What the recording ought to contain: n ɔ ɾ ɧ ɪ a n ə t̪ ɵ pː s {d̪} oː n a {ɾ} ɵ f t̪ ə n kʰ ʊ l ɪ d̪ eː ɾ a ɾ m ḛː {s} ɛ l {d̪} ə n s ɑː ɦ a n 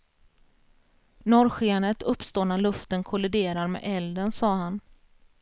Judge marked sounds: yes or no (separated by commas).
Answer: no, no, no, yes